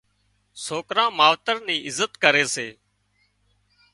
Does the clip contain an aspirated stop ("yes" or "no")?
no